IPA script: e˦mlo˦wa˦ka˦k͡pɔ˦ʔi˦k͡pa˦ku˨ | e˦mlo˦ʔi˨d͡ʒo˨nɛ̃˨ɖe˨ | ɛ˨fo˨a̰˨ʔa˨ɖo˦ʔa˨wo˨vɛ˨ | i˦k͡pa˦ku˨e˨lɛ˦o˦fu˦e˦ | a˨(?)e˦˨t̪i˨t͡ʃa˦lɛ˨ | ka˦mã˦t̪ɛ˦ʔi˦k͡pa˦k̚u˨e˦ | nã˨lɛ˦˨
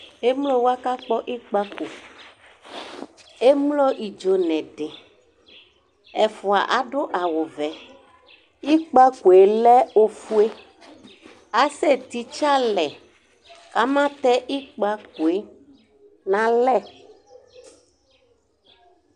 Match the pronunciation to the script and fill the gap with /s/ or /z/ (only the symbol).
s